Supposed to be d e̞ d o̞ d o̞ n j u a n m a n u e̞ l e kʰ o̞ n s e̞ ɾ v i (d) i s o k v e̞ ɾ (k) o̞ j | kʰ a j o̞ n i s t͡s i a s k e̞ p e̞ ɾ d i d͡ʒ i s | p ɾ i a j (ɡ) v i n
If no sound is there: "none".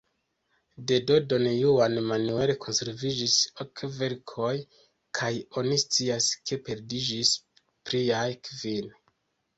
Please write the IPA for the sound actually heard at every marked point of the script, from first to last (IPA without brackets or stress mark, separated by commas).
d͡ʒ, kʰ, k